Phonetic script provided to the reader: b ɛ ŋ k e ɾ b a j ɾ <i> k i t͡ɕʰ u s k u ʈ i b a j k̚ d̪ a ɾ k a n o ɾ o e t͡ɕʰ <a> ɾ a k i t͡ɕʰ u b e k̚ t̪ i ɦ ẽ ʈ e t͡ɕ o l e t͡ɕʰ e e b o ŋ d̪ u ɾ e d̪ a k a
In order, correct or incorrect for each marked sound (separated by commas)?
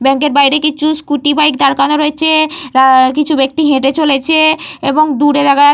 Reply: incorrect, incorrect